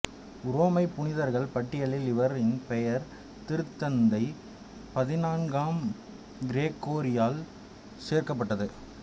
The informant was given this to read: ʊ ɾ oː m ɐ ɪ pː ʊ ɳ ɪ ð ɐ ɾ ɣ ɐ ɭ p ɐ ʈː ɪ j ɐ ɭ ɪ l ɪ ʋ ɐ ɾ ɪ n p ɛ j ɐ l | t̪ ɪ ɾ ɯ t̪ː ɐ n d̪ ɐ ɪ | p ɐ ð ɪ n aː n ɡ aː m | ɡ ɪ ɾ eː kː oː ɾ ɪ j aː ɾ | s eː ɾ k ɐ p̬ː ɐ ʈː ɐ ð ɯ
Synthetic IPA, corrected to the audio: ʊ ɾ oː m ɐ ɪ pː ʊ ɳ ɪ ð ɐ ɾ ɣ ɐ ɭ p ɐ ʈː ɪ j ɐ ɭ ɪ l ɪ ʋ ɐ ɾ ɪ n p ɛ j ɐ ɾ | t̪ ɪ ɾ ɯ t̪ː ɐ n d̪ ɐ ɪ | p ɐ ð ɪ n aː n ɡ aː m | ɡ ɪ ɾ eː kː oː ɾ ɪ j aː l | s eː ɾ k ɐ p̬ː ɐ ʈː ɐ ð ɯ